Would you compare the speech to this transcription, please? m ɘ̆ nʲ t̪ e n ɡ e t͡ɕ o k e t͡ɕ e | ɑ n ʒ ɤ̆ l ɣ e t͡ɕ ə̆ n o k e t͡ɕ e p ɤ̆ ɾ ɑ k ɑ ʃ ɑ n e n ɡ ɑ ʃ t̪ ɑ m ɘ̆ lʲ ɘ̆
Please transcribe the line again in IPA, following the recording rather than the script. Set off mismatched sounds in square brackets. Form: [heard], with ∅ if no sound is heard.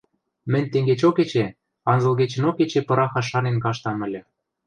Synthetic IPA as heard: m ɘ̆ nʲ t̪ e [ŋ] ɡ e t͡ɕ o k e t͡ɕ e | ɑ n [z] ɤ̆ l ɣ e t͡ɕ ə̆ n o k e t͡ɕ e p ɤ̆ ɾ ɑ [x] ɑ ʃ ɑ n e n [k] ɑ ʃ t̪ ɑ m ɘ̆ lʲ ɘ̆